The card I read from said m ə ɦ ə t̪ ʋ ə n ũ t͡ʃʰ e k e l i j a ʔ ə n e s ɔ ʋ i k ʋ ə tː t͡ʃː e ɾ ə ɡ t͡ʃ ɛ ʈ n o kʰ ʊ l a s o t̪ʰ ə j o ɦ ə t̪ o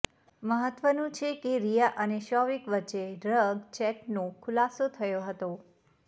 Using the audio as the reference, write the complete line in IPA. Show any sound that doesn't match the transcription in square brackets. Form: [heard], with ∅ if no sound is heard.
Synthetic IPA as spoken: m ə ɦ ə t̪ ʋ ə n ũ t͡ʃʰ e k e [ɾ] i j a ʔ ə n e [ʃ] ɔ ʋ i k ʋ ə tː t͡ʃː e ɾ ə ɡ t͡ʃ ɛ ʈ n o kʰ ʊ l a s o t̪ʰ ə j o ɦ ə t̪ o